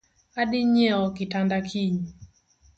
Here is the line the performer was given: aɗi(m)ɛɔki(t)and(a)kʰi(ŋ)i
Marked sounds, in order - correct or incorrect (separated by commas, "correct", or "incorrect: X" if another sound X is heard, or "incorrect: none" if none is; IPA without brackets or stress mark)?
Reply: incorrect: ɲ, correct, correct, incorrect: ɲ